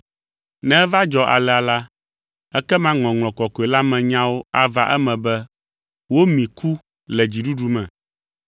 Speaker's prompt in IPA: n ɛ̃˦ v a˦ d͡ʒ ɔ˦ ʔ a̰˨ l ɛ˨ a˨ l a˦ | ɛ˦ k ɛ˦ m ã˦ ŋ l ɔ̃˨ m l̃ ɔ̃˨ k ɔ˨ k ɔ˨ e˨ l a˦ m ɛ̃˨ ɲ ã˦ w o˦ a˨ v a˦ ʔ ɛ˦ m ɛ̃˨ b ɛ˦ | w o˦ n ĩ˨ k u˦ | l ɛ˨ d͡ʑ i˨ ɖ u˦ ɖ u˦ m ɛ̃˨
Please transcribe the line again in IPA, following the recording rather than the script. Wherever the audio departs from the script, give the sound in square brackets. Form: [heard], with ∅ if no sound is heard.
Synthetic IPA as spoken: n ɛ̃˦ v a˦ d͡ʒ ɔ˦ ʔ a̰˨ l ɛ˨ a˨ l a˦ | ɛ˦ k ɛ˦ m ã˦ ŋ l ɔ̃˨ [ŋ] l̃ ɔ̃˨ k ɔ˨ k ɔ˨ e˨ l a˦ m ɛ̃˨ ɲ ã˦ w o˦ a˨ v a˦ ʔ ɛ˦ m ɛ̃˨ b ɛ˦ | w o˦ [m] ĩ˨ k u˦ | l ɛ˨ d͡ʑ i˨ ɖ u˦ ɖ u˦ m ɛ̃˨